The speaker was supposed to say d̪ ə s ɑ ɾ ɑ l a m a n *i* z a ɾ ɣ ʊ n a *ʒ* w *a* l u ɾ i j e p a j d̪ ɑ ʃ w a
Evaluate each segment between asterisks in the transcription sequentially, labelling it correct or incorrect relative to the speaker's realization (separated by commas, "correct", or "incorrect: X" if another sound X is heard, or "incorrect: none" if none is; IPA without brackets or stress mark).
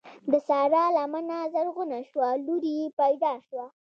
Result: incorrect: a, incorrect: ʃ, correct